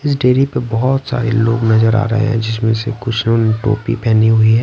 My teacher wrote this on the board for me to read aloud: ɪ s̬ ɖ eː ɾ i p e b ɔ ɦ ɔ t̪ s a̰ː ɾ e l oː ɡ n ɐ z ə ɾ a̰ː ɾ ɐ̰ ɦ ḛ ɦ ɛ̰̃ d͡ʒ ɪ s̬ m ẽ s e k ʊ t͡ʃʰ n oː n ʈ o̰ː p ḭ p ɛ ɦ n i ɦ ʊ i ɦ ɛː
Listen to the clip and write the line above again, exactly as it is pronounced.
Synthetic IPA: ɪ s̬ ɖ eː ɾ i p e b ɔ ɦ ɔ t̪ s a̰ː ɾ e l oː ɡ n ɐ z ə ɾ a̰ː ɾ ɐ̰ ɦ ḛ ɦ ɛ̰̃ d͡ʒ ɪ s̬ m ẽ s e k ʊ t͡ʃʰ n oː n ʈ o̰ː p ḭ p ɛ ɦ n i ɦ ʊ i ɦ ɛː

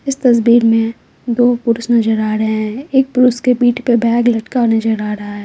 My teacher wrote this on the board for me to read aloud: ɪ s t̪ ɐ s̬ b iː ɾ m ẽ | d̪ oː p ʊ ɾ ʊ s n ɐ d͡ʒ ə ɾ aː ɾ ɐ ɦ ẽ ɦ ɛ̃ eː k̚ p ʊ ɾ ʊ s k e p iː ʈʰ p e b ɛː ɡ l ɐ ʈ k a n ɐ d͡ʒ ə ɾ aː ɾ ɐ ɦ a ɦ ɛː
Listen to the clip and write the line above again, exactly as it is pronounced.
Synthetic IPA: ɪ s t̪ ɐ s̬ b iː ɾ m ẽ | d̪ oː p ʊ ɾ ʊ s n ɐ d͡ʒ ə ɾ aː ɾ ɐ ɦ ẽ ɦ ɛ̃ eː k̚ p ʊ ɾ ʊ s k e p iː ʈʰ p e b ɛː ɡ l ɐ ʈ k a n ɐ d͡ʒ ə ɾ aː ɾ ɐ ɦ a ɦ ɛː

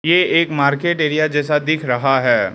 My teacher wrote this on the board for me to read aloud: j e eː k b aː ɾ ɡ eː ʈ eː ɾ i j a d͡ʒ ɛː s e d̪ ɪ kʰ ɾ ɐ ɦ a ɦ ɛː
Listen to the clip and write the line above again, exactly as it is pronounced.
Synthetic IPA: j e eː k m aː ɾ k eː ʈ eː ɾ i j a d͡ʒ ɛː s a d̪ ɪ kʰ ɾ ɐ ɦ a ɦ ɛː

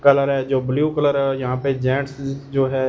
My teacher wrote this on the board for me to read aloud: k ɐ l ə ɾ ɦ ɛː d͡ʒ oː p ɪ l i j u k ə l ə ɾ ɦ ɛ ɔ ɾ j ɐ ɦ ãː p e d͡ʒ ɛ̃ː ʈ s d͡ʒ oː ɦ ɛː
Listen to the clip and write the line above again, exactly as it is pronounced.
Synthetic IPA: k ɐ l ə ɾ ɦ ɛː d͡ʒ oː b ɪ l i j u k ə l ə ɾ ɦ ɛ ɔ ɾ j ɐ ɦ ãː p e d͡ʒ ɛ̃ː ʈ s d͡ʒ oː ɦ ɛː

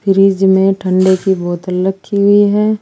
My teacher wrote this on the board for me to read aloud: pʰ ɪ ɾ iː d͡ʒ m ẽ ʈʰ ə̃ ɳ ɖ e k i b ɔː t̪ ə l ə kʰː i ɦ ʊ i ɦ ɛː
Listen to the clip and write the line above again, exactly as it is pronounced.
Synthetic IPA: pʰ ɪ ɾ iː d͡ʒ m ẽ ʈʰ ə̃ ɳ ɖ e k i b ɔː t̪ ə l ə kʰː i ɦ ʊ i ɦ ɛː

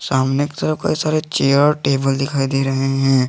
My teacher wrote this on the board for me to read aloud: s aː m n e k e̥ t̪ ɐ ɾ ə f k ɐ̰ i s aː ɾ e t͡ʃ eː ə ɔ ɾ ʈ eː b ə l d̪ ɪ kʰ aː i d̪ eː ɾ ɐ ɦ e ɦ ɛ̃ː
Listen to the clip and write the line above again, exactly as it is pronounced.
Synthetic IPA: s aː m n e k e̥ t̪ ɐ ɾ ə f k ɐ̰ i s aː ɾ e t͡ʃ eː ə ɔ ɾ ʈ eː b ə l d̪ ɪ kʰ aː i d̪ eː ɾ ɐ ɦ e ɦ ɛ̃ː

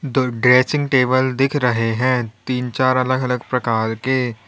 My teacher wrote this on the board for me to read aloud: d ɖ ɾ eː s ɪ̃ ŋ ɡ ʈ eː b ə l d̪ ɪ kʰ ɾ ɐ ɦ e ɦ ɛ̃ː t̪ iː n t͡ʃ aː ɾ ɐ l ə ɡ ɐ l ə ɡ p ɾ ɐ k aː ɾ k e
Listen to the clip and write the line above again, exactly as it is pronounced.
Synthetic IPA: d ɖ ɾ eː s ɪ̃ ŋ ɡ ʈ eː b ə l d̪ ɪ kʰ ɾ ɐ ɦ e ɦ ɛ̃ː t̪ iː n t͡ʃ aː ɾ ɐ l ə ɡ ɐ l ə ɡ p ɾ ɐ k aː ɾ k e

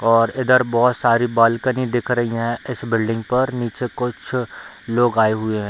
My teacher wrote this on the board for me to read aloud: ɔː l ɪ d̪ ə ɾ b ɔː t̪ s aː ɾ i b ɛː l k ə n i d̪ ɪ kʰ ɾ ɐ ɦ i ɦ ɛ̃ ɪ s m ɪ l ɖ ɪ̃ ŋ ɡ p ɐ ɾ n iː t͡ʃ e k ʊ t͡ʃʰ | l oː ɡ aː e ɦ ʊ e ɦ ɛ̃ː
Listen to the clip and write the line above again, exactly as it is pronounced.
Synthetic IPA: ɔː ɾ ɪ d̪ ə ɾ b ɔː t̪ s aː ɾ i b aː l k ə n i d̪ ɪ kʰ ɾ ɐ ɦ i ɦ ɛ̃ ɪ s b ɪ l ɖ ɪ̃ ŋ ɡ p ɐ ɾ n iː t͡ʃ e k ʊ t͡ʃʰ | l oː ɡ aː e ɦ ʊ e ɦ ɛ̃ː

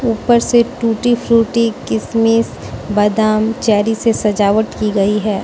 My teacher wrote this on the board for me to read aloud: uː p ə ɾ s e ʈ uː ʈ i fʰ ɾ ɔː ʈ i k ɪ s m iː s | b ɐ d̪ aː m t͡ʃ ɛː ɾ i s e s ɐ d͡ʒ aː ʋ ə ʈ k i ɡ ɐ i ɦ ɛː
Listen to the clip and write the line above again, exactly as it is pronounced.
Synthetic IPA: uː p ə ɾ s e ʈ uː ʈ i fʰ ɾ uː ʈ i k ɪ s m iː s | b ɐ d̪ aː m t͡ʃ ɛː ɾ i s e s ɐ d͡ʒ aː ʋ ə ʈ k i ɡ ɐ i ɦ ɛː

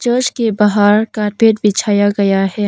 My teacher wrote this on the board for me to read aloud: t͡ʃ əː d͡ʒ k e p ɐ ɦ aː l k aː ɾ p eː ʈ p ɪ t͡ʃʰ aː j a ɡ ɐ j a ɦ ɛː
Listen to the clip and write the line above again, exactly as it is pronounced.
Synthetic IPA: t͡ʃ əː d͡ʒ k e b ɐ ɦ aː ɾ k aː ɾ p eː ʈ b ɪ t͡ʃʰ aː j a ɡ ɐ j a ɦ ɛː

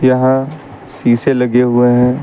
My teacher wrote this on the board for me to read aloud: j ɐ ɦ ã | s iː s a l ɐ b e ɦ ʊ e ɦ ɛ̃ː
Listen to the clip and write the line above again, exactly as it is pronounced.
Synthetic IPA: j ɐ ɦ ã | s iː s e l ɐ ɡ e ɦ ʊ e ɦ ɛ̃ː

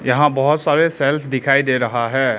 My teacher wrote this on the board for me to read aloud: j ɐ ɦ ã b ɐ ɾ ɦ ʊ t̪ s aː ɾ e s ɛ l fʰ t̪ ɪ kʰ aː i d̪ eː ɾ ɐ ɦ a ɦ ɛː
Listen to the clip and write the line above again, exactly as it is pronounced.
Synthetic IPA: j ɐ ɦ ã b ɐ ɦ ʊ t̪ s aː ɾ e s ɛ l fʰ d̪ ɪ kʰ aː i d̪ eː ɾ ɐ ɦ a ɦ ɛː

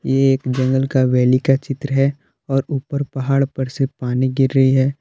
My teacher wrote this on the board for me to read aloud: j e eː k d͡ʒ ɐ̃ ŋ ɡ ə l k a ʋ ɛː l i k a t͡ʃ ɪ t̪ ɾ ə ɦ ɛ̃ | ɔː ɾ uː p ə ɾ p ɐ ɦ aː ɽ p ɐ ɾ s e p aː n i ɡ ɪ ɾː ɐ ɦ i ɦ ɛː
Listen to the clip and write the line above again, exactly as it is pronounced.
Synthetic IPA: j e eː k d͡ʒ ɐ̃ ŋ ɡ ə l k a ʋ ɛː l i k a t͡ʃ ɪ t̪ ɾ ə ɦ ɛ | ɔː ɾ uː p ə ɾ p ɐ ɦ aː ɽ p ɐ ɾ s e p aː n i ɡ ɪ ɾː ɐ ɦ i ɦ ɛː

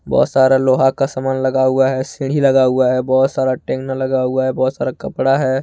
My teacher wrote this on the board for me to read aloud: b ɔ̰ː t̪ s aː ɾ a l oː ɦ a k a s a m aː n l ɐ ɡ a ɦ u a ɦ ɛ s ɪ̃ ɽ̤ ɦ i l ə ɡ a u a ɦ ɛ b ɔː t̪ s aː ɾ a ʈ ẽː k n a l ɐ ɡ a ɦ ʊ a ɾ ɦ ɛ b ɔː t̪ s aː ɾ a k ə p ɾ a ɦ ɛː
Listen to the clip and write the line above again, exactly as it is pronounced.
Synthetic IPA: b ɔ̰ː t̪ s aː ɾ a l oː ɦ a k a s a m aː n l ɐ ɡ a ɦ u a ɦ ɛ s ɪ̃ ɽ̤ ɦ i l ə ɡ a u a ɦ ɛ b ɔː t̪ s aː ɾ a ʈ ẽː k n a l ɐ ɡ a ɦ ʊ a ɦ ɛ b ɔː t̪ s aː ɾ a k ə p ɽ a ɦ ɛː

